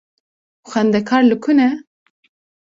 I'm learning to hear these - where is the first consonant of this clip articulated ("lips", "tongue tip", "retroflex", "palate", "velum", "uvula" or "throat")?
velum